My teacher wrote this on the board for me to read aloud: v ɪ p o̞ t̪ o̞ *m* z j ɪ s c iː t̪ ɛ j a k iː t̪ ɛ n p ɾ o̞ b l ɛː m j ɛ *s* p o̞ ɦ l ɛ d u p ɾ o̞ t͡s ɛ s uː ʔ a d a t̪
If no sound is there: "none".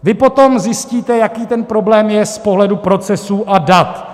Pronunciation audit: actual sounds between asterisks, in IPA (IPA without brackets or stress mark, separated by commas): m, s